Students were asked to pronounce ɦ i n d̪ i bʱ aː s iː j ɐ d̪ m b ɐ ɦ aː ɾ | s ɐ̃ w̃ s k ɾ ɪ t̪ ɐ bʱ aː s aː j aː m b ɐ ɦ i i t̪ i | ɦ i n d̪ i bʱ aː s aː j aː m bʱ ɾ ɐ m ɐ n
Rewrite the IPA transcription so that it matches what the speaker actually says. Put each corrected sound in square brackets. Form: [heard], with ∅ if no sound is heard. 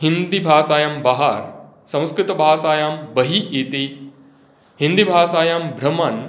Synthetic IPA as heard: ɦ i n d̪ i bʱ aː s [aː] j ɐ [∅] m b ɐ ɦ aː ɾ | s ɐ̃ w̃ s k ɾ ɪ t̪ ɐ bʱ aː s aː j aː m b ɐ ɦ i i t̪ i | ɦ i n d̪ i bʱ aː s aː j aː m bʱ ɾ ɐ m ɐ n